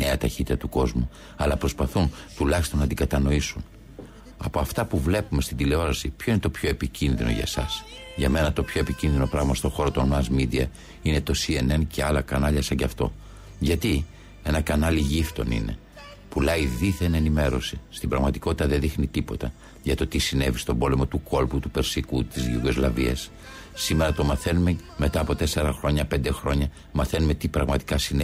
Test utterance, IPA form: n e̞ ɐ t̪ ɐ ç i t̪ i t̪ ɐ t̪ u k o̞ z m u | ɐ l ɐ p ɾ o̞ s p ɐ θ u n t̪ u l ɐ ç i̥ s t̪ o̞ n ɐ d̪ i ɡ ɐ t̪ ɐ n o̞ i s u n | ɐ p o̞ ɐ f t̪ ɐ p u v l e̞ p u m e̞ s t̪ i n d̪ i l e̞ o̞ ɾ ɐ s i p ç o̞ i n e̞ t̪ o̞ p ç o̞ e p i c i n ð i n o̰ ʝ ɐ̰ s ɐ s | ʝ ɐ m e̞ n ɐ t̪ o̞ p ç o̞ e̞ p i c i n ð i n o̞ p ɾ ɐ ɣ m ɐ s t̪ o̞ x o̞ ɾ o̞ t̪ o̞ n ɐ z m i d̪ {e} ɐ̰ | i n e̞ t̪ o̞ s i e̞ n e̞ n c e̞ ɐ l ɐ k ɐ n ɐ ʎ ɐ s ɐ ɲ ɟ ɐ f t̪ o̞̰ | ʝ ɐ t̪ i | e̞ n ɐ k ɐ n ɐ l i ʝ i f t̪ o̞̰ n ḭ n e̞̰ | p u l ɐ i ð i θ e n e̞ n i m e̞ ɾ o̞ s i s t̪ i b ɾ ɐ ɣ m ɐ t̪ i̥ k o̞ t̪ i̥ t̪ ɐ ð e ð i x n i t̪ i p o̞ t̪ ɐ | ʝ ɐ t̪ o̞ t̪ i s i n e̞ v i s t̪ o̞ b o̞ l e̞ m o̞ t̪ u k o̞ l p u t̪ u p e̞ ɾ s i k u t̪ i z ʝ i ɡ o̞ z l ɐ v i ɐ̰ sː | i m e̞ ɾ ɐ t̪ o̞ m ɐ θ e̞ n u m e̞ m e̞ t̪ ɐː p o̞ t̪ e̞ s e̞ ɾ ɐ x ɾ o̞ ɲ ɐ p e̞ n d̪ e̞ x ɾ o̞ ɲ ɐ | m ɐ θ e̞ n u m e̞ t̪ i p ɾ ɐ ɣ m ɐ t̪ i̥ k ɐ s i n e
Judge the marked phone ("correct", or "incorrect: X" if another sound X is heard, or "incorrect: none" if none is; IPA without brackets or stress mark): incorrect: i